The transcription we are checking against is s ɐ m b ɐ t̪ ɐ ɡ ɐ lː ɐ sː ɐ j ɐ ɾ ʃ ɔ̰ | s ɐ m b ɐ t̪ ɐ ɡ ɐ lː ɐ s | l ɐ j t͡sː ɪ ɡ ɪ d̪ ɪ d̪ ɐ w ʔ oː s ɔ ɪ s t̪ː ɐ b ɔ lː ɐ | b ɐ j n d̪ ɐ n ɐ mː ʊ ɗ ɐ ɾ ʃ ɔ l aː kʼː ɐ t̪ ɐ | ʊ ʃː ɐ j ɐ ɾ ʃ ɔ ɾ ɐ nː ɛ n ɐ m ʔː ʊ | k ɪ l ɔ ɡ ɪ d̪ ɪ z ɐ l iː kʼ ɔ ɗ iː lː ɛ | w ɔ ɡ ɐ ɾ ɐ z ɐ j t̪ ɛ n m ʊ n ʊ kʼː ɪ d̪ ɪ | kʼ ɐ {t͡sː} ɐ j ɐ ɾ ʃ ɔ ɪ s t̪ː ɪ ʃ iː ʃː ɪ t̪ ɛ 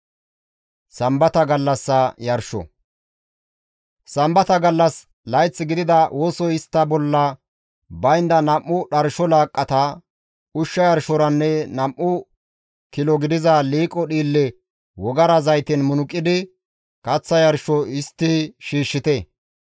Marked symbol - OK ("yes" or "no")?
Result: yes